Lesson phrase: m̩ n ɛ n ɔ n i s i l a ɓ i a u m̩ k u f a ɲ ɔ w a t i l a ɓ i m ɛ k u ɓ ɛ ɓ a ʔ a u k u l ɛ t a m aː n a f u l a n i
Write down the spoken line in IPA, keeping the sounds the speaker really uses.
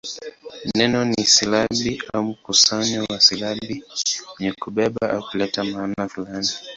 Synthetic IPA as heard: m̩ n ɛ n ɔ n i s i l a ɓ i a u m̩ k u s a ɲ ɔ w a s i l a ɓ i ɲ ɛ k u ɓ ɛ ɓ a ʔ a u k u l ɛ t a m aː n a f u l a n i